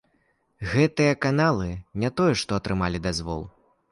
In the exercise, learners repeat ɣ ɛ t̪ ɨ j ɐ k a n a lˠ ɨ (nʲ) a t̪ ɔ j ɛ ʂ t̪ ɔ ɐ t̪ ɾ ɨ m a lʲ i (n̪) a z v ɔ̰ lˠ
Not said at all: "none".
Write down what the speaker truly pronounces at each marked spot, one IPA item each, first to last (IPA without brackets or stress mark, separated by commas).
nʲ, d̪